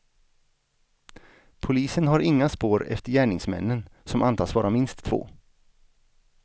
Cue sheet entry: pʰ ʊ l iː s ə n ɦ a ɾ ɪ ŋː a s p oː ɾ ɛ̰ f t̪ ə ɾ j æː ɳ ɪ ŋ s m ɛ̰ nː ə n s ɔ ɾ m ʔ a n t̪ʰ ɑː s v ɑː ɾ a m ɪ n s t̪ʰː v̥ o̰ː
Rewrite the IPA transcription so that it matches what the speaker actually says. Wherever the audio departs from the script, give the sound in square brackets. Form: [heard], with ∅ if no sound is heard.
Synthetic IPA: pʰ ʊ l iː s ə n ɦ a ɾ ɪ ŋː a s p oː ɾ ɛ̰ f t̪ ə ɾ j æː ɳ ɪ ŋ s m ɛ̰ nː ə n s ɔ [∅] m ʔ a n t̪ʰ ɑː s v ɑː ɾ a m ɪ n s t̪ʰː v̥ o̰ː